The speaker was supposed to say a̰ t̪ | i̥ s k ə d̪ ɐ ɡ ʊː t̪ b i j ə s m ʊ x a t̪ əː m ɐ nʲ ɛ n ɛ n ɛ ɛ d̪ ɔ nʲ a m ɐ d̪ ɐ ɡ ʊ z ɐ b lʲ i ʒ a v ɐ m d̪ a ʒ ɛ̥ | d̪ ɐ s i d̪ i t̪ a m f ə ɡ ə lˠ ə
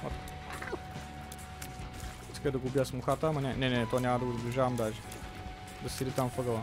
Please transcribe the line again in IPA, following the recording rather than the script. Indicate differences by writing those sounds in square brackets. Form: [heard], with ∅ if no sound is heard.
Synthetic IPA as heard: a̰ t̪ | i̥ s k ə d̪ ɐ ɡ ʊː [∅] b i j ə s m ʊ x a t̪ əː m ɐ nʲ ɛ n ɛ n ɛ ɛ [t̪] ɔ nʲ a m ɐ d̪ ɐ ɡ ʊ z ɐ b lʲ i ʒ a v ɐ m d̪ a ʒ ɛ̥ | d̪ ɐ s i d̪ i t̪ a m f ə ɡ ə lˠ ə